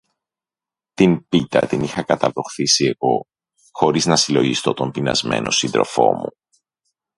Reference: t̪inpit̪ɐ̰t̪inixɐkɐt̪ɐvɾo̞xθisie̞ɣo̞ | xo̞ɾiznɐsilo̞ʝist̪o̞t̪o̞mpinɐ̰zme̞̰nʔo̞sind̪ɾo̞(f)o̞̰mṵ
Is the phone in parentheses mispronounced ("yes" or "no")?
no